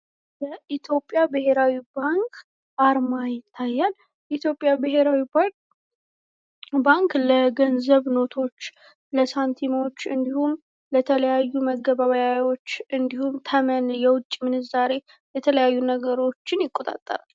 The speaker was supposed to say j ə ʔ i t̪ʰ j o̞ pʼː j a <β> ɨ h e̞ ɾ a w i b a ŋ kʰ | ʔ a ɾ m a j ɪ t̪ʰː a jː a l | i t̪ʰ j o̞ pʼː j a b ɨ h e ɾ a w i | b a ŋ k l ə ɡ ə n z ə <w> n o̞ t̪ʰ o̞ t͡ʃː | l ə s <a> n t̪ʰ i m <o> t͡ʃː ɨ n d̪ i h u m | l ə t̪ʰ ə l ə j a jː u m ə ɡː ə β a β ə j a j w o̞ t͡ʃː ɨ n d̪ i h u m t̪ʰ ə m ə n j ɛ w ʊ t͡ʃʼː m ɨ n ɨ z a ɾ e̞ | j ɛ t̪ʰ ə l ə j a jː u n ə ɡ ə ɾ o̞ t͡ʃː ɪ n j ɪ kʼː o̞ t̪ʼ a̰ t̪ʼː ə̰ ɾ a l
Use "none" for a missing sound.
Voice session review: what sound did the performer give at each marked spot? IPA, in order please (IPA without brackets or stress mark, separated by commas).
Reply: b, β, a, o